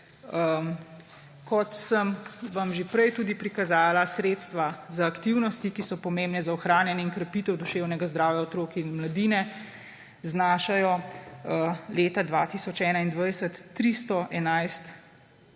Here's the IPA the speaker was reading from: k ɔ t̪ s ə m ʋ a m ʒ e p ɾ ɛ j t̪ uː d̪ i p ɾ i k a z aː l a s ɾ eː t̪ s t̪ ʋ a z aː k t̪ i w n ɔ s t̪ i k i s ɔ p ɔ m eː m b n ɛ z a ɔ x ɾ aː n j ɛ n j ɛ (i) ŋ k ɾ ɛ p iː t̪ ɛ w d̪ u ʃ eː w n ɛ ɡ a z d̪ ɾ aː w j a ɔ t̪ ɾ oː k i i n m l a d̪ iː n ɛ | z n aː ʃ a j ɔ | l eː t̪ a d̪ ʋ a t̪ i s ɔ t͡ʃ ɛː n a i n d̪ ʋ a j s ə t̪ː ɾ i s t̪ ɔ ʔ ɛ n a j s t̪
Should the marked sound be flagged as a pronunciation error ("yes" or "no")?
no